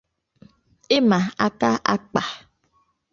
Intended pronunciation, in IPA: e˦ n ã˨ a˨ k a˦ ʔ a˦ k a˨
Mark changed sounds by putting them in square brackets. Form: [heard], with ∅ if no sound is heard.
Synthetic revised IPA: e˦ [m] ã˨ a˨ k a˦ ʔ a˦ [k͡p] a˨